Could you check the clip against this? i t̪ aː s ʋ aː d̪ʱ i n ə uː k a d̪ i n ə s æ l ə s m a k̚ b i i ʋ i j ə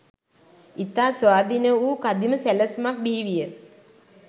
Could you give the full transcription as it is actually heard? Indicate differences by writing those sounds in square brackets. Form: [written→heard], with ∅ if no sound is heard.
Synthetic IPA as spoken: i t̪ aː s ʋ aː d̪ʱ i n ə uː k a d̪ i [n→m] ə s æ l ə s m a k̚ b i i ʋ i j ə